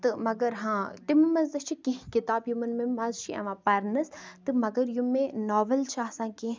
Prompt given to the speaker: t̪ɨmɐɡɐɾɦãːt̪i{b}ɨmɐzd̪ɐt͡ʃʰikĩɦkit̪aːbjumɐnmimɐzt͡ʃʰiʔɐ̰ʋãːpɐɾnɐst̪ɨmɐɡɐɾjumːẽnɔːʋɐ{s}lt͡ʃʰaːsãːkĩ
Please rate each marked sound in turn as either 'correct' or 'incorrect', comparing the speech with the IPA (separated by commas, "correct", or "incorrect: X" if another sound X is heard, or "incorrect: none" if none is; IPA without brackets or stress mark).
incorrect: m, incorrect: none